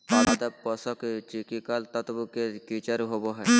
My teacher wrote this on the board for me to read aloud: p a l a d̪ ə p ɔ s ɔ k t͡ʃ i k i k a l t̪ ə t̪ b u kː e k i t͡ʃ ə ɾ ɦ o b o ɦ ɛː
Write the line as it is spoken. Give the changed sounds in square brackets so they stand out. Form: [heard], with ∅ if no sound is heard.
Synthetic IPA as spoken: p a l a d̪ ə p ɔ s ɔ k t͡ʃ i k i k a l t̪ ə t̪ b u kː e k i t͡ʃ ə ɾ ɦ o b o ɦ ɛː